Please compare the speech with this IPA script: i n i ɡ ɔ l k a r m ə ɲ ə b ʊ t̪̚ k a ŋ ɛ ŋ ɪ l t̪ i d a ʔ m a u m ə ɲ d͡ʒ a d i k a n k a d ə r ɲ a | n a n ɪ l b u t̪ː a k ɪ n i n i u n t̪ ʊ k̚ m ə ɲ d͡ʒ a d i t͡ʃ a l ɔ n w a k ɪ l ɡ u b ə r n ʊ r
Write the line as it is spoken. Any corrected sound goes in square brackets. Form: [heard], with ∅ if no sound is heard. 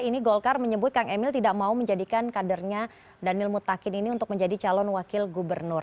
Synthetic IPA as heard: i n i ɡ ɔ l k a r m ə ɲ ə b ʊ t̪̚ k a ŋ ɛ [m] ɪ l t̪ i d a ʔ m a u m ə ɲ d͡ʒ a d i k a n k a d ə r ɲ a | [d] a n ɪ l [m] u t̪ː a k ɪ n i n i u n t̪ ʊ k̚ m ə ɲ d͡ʒ a d i t͡ʃ a l ɔ n w a k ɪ l ɡ u b ə r n ʊ r